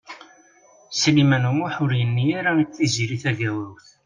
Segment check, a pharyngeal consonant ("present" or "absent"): present